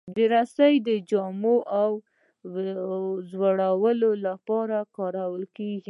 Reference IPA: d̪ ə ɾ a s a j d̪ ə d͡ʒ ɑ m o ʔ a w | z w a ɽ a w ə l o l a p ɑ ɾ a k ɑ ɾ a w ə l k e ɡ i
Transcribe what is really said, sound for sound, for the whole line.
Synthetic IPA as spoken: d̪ ə ɾ a s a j d̪ ə d͡ʒ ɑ m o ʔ a w | z w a ɽ a w ə l o l a p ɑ ɾ a k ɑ ɾ a w ə l k e ɡ i